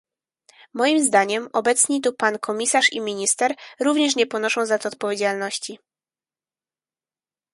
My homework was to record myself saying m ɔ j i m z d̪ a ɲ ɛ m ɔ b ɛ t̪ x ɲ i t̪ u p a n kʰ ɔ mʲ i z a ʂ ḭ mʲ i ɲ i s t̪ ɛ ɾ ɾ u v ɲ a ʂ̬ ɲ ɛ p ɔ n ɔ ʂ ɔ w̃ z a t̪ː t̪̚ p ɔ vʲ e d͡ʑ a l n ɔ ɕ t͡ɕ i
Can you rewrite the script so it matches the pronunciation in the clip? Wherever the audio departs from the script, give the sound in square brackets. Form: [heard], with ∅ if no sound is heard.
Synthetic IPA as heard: m ɔ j i m z d̪ a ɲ ɛ m ɔ b ɛ t̪ [s] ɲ i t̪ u p a n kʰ ɔ mʲ i [s] a ʂ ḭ mʲ i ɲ i s t̪ ɛ ɾ ɾ u v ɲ [ɛ] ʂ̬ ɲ ɛ p ɔ n ɔ ʂ [ɔ̃] w̃ z a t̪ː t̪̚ p ɔ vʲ e d͡ʑ a l n ɔ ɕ t͡ɕ i